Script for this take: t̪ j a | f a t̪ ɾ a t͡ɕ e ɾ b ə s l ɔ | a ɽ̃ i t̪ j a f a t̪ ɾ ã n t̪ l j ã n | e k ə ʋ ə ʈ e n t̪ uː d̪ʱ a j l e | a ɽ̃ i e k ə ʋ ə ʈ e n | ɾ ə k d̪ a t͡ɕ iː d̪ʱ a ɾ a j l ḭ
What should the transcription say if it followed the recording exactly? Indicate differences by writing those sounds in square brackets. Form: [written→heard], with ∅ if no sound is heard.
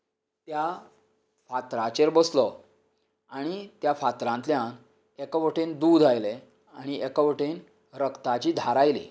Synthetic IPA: t̪ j a | f a t̪ ɾ a t͡ɕ e ɾ b ə s l ɔ | a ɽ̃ i t̪ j a f a t̪ ɾ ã n t̪ l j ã n | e k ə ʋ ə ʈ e n [t̪→d̪] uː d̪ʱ a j l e | a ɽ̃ i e k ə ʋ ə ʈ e n | ɾ ə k [d̪→t̪] a t͡ɕ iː d̪ʱ a ɾ a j l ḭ